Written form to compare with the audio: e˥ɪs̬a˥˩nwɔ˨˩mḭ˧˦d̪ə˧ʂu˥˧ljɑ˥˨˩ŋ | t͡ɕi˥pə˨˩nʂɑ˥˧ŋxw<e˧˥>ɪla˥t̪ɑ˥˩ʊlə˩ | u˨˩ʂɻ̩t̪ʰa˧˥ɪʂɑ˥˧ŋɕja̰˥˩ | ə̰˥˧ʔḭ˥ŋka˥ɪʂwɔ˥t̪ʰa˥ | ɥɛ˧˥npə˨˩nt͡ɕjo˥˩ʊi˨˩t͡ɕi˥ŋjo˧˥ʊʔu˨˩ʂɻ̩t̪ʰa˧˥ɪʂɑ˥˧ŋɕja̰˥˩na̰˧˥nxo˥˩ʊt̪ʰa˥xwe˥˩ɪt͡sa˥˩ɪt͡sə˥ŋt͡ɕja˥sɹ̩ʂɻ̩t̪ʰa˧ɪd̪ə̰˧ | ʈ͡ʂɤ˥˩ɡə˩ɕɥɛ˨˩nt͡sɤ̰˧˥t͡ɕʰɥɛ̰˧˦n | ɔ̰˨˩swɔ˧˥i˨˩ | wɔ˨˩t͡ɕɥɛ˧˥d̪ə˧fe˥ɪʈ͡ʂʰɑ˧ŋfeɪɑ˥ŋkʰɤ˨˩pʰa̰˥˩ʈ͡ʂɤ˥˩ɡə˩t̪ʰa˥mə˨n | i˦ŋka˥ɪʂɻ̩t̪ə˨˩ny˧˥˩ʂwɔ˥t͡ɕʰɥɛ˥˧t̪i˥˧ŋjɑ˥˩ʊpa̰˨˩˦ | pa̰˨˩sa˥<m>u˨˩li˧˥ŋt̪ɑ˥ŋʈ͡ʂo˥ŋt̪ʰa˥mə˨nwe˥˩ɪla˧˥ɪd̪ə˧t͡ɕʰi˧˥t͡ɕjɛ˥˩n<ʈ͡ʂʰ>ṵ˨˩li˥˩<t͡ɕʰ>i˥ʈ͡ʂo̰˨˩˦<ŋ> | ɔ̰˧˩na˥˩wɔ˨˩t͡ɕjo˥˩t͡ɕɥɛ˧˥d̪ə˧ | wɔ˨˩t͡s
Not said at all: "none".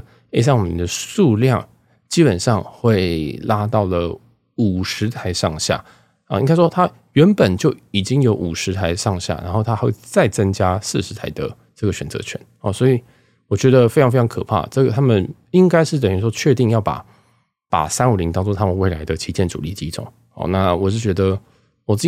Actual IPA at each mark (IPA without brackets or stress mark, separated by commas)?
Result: e˥˩, n, ʈ͡ʂ, t͡ɕ, ŋ